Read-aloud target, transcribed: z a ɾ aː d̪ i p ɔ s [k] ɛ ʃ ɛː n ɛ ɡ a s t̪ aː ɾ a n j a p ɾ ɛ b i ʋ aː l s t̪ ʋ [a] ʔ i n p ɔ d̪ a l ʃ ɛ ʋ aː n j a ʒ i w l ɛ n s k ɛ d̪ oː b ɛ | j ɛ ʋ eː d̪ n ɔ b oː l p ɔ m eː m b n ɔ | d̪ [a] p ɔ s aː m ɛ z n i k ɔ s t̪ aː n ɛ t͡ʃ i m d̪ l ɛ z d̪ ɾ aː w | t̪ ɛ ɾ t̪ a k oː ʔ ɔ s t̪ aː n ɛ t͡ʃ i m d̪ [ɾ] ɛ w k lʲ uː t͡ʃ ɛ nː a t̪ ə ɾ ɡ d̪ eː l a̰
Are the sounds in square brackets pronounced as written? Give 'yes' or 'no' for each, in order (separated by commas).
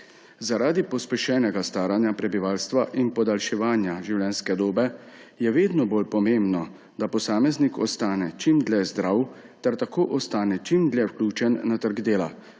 no, yes, yes, no